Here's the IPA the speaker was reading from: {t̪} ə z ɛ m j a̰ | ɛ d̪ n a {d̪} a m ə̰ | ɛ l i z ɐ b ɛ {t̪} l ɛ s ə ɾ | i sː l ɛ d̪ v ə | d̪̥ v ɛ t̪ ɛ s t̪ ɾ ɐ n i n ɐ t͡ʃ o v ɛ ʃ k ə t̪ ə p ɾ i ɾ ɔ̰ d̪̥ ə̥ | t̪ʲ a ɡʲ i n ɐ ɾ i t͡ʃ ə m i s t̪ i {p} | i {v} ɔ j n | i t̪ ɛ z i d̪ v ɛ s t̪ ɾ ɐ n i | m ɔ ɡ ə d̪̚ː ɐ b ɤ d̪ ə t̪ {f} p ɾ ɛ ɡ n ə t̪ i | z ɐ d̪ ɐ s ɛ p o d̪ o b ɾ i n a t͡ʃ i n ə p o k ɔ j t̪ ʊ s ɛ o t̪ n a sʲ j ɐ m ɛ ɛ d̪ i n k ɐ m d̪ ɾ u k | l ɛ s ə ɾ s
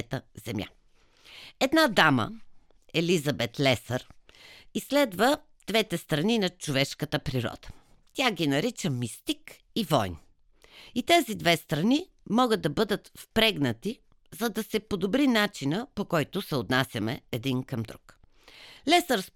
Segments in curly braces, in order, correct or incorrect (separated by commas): correct, correct, correct, incorrect, correct, correct